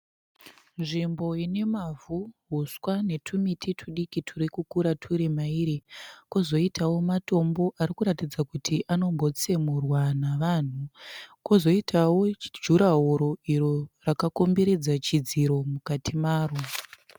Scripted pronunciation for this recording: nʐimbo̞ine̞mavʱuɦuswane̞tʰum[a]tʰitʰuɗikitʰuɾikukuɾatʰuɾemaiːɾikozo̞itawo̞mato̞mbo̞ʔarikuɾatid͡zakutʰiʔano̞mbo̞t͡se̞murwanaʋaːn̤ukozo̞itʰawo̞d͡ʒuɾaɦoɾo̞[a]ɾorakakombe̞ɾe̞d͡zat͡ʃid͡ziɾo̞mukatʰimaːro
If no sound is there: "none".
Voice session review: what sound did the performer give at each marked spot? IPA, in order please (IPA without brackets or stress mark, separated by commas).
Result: i, i